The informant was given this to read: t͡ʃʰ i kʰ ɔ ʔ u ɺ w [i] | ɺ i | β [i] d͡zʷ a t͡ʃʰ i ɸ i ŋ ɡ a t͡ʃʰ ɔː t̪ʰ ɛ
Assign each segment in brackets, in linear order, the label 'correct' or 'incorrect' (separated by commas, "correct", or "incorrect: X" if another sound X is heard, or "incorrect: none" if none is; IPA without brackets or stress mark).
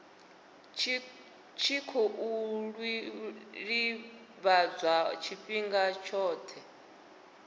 correct, incorrect: a